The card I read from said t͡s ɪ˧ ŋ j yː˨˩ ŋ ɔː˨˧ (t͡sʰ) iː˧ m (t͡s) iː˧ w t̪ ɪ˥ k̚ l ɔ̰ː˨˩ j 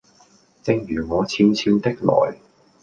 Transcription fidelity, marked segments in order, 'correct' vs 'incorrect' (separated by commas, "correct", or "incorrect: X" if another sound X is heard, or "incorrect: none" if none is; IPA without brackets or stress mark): correct, incorrect: t͡sʰ